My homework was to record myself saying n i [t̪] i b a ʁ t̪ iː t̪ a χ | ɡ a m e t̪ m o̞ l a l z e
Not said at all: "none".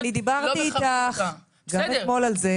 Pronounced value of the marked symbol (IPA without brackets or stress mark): d̪